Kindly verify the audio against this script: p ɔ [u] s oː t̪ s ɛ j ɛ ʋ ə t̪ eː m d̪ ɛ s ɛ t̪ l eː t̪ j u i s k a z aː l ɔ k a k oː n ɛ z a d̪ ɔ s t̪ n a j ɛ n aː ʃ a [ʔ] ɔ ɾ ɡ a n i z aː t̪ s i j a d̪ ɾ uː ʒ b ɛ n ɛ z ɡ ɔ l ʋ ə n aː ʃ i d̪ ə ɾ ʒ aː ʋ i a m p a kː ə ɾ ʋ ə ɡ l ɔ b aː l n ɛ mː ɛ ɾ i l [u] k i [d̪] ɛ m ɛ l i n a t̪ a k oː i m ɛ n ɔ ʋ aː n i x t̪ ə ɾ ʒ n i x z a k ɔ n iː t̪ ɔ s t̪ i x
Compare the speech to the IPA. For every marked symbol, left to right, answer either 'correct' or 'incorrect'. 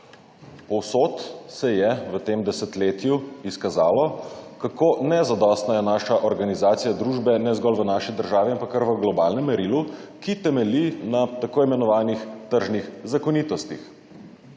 incorrect, correct, correct, incorrect

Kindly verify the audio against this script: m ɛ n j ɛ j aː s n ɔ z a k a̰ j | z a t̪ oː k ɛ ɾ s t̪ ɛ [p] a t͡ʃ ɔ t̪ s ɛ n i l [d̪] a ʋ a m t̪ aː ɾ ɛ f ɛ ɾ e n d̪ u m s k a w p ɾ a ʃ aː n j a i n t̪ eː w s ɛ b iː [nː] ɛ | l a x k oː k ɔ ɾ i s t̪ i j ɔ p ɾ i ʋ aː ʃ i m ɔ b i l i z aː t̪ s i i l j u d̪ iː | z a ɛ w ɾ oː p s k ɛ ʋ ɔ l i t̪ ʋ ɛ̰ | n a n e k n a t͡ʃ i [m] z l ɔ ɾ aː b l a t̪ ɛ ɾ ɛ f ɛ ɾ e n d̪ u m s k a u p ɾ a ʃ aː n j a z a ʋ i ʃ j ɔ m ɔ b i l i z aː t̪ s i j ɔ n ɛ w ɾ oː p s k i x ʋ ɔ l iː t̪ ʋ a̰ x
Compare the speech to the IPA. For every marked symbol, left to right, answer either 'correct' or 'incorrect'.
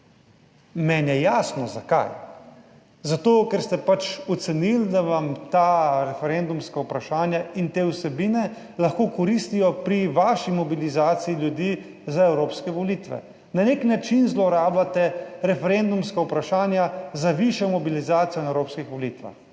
correct, correct, incorrect, incorrect

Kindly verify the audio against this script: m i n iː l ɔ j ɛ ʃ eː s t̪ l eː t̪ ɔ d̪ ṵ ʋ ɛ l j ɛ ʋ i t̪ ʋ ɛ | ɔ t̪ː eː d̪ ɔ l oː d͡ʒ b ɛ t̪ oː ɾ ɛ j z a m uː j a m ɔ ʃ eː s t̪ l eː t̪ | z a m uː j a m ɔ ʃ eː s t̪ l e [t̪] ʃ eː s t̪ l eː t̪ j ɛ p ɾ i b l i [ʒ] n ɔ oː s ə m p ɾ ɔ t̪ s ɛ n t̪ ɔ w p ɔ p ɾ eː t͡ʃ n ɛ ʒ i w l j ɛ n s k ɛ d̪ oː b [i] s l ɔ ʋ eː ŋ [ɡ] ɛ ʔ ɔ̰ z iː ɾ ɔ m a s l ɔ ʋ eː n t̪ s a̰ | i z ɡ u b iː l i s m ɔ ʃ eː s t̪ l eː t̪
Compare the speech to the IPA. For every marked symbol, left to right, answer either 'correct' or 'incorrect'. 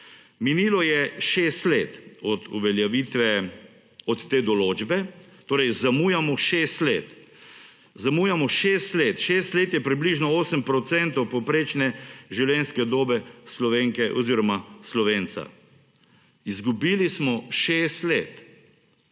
correct, correct, incorrect, incorrect

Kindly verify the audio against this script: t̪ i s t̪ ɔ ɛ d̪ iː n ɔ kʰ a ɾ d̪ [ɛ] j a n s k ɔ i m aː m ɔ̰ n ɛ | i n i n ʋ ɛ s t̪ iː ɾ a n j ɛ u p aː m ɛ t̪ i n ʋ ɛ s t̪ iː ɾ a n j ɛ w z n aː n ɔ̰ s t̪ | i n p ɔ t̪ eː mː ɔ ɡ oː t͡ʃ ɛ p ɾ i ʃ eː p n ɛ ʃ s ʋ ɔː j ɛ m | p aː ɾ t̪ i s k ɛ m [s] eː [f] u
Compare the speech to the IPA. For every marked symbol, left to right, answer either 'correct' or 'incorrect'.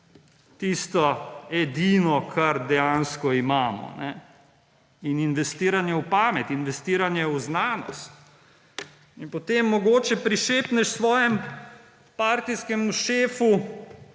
correct, incorrect, correct

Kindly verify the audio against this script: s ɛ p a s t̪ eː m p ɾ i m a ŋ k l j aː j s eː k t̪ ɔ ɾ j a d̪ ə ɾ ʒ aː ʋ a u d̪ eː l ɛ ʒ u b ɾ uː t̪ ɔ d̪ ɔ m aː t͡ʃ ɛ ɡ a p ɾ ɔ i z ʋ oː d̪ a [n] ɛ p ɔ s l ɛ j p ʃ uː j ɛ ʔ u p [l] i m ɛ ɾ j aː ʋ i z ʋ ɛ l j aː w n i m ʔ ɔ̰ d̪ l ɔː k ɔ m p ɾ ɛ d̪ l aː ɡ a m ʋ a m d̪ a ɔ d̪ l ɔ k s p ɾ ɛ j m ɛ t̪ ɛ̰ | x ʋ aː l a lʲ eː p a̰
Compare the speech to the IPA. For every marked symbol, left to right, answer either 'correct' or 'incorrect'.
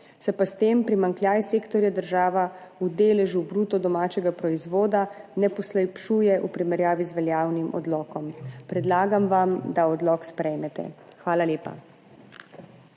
correct, incorrect

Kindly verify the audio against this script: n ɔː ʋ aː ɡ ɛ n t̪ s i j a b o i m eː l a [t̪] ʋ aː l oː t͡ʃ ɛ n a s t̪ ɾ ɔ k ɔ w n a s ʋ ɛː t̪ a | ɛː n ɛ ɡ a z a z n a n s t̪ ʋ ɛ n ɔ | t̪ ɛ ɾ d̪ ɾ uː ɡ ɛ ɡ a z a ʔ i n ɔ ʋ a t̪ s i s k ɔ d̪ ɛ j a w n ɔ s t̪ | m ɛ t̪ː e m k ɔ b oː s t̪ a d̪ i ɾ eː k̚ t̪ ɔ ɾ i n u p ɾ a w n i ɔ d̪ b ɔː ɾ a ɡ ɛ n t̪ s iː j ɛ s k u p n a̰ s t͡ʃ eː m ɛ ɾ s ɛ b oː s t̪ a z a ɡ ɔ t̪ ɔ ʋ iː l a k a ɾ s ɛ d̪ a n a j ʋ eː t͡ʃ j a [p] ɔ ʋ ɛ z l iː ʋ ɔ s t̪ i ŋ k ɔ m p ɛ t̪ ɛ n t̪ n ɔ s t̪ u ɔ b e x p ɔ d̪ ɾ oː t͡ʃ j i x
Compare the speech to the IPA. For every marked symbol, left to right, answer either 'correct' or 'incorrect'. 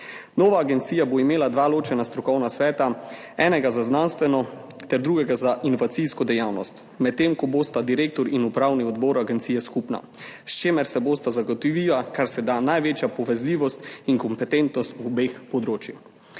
incorrect, correct

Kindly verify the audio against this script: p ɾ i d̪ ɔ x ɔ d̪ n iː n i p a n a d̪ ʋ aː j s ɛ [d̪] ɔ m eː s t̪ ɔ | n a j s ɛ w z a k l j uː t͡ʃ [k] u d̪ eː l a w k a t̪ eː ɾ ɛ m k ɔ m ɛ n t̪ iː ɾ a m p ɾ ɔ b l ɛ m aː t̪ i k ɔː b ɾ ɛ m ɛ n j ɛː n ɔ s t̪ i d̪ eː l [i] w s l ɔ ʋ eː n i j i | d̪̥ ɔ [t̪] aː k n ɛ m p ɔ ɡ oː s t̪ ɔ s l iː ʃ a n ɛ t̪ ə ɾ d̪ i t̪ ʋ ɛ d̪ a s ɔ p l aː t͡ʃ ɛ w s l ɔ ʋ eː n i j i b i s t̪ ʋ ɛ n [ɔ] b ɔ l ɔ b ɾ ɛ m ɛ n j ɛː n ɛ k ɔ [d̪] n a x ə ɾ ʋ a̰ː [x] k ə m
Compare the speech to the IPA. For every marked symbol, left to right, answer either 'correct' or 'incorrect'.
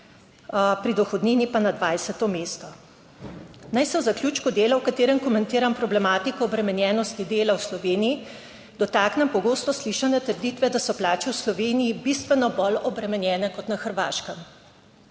incorrect, correct, incorrect, correct, correct, incorrect, incorrect

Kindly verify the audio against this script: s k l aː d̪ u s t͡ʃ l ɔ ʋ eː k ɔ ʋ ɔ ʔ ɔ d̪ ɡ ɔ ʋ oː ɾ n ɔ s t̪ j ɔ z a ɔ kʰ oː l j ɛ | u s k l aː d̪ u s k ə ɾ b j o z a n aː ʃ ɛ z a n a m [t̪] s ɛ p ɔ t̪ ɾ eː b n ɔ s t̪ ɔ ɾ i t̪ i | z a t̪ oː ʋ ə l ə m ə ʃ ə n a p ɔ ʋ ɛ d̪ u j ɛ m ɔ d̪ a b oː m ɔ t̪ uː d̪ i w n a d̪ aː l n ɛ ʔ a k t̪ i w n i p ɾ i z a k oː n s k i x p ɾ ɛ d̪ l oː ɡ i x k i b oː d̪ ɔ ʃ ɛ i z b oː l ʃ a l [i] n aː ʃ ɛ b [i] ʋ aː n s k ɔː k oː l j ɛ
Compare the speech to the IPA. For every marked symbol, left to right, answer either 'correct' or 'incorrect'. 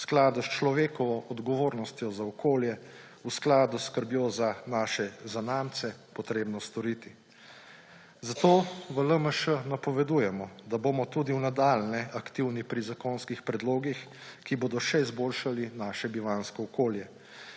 correct, correct, correct

